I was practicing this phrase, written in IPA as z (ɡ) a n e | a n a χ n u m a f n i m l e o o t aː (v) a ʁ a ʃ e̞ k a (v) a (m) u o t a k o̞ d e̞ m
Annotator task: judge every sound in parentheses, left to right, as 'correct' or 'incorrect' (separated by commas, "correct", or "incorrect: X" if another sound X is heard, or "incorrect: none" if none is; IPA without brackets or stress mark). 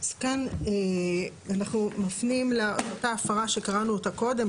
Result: incorrect: k, incorrect: f, incorrect: ʁ, incorrect: n